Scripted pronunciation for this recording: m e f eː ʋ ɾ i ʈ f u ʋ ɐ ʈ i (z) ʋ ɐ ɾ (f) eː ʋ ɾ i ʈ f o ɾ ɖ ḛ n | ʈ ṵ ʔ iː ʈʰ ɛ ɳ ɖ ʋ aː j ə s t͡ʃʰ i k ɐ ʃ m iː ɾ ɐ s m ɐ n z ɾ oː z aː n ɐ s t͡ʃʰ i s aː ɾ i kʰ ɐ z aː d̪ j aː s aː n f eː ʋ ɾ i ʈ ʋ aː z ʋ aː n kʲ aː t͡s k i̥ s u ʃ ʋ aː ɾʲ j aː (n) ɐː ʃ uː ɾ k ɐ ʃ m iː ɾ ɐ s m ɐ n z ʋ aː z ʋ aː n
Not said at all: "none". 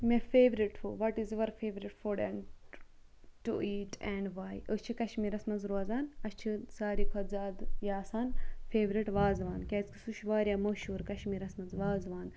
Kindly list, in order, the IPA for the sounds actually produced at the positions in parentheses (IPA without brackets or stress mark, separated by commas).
z, f, m